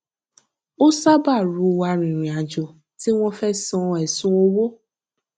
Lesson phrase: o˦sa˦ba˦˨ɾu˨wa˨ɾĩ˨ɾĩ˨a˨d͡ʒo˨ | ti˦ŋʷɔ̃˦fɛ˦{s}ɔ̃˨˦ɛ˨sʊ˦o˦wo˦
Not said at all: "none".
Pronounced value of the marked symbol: s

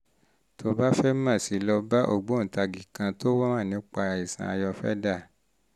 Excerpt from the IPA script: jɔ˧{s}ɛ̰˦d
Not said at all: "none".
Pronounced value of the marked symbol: f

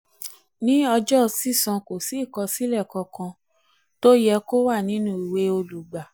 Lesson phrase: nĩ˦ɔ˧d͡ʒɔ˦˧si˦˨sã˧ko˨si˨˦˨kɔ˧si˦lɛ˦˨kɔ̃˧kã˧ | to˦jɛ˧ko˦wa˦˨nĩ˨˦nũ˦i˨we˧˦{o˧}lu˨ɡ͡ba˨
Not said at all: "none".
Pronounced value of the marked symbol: o˧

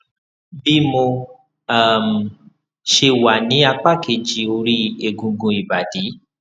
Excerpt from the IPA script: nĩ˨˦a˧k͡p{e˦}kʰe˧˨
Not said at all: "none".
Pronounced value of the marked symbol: a˦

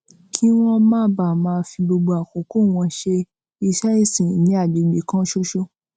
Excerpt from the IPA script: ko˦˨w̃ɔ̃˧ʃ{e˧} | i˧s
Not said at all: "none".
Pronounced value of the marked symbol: e˧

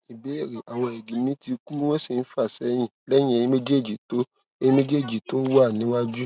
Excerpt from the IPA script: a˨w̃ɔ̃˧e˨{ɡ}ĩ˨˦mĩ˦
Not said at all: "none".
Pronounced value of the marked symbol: ɡ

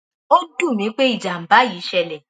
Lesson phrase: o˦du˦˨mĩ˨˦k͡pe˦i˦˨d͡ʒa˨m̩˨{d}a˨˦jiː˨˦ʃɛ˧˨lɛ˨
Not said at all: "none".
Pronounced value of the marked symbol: b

